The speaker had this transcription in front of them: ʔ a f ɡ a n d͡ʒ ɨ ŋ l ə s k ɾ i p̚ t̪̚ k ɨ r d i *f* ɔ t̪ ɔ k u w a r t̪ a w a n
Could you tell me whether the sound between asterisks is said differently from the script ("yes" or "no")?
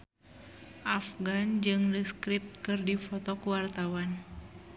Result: no